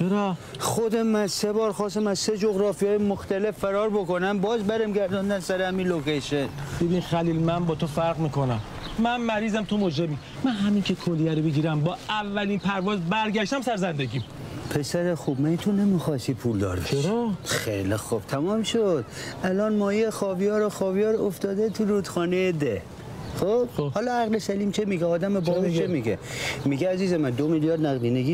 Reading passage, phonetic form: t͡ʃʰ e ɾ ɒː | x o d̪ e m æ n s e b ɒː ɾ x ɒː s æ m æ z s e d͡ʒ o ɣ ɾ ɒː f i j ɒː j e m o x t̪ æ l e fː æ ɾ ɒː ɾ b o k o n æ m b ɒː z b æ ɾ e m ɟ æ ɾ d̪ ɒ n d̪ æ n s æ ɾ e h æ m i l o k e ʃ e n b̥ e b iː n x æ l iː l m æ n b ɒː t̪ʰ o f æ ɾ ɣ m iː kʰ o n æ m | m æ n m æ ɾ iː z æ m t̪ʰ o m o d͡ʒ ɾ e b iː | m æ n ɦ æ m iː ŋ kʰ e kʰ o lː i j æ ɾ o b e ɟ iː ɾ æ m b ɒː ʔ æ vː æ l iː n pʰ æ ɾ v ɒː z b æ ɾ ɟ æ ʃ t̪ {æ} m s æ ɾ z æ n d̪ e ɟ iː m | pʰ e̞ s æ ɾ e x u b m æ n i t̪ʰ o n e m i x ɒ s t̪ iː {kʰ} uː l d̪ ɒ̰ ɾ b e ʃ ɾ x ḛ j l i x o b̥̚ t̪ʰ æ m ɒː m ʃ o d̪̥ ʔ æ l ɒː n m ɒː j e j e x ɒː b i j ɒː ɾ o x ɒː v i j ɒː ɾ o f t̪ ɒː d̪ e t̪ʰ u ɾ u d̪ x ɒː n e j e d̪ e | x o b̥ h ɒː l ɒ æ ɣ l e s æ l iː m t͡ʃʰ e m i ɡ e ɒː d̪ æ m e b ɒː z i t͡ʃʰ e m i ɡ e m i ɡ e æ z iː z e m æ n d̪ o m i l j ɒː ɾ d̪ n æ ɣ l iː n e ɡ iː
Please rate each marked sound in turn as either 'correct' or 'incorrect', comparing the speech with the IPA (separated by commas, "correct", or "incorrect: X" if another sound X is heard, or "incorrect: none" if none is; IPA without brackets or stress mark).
correct, incorrect: pʰ